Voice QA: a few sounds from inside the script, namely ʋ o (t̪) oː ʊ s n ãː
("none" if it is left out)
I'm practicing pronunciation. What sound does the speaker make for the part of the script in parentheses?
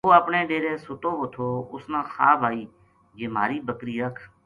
t̪ʰ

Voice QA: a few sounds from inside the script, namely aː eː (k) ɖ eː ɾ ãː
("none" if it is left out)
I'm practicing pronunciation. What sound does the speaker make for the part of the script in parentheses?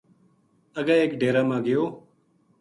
k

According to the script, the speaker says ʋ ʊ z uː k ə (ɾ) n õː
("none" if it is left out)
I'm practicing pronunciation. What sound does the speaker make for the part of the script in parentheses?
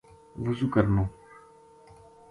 ɾ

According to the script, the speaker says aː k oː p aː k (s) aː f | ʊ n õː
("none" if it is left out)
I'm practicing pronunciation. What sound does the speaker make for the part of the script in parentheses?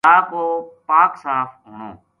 s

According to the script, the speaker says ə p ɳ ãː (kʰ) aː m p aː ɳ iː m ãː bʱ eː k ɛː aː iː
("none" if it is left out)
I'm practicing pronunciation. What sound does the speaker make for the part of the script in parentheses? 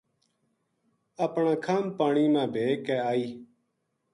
kʰ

